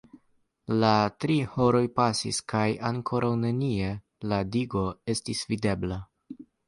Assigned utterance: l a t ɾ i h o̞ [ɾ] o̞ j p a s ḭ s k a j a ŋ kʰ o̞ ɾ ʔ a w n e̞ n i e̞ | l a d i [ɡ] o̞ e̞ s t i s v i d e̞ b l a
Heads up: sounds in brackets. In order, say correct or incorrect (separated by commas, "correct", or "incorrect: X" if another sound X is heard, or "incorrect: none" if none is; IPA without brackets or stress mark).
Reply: correct, correct